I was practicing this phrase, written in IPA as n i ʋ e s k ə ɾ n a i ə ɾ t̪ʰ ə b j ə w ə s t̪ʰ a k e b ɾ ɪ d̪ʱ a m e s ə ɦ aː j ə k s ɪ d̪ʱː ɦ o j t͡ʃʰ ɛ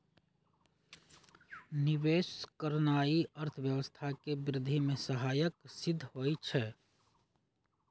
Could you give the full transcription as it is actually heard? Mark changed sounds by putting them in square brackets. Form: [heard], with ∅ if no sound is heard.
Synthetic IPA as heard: n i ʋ e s k ə ɾ n a i ə ɾ t̪ʰ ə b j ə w ə s t̪ʰ a k e b ɾ ɪ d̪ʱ [i] m e s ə ɦ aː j ə k s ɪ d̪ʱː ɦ o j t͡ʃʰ ɛ